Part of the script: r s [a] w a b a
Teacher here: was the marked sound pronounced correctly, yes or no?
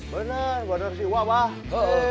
no